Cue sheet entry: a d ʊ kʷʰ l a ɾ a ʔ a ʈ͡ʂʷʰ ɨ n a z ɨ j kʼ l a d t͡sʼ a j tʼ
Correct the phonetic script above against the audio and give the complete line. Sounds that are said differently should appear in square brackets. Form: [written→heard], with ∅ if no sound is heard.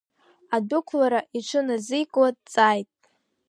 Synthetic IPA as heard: a d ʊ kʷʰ l a ɾ a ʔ [a→i] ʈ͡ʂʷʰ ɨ n a z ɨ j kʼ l a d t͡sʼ a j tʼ